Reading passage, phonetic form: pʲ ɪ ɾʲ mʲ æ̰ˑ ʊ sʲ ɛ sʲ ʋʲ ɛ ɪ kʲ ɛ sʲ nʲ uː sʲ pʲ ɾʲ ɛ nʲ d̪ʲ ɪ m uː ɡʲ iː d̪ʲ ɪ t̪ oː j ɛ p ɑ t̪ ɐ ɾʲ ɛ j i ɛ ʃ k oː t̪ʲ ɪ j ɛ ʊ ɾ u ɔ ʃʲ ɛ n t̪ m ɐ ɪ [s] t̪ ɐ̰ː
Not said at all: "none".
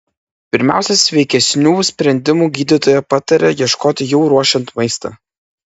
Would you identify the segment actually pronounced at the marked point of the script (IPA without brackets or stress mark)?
s